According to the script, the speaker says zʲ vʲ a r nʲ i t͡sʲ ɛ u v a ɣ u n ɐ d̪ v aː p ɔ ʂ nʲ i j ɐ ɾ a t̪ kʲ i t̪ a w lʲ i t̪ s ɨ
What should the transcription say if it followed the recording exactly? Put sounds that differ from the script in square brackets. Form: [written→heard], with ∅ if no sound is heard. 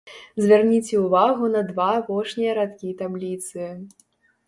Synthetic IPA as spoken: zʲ vʲ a r nʲ i t͡sʲ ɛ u v a ɣ u n ɐ d̪ v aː p ɔ ʂ nʲ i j ɐ ɾ a t̪ kʲ i t̪ a [w→b] lʲ i t̪ s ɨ